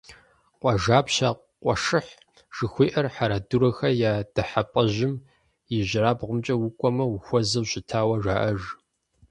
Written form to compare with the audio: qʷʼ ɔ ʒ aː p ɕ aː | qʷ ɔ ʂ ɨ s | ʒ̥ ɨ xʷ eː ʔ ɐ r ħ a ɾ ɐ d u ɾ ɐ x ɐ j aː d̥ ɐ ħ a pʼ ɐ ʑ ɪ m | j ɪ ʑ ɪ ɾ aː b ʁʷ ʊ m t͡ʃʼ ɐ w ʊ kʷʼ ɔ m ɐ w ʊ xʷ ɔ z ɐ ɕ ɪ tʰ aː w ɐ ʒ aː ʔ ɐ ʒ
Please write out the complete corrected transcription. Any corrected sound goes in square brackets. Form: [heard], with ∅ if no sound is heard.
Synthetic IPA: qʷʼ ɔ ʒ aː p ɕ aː | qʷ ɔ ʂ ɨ [ħ] | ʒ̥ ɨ xʷ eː ʔ ɐ r ħ a ɾ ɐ d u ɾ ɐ x ɐ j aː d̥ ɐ ħ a pʼ ɐ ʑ ɪ m | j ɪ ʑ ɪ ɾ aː b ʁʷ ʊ m t͡ʃʼ ɐ w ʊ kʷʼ ɔ m ɐ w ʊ xʷ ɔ z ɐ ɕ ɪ tʰ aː w ɐ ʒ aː ʔ ɐ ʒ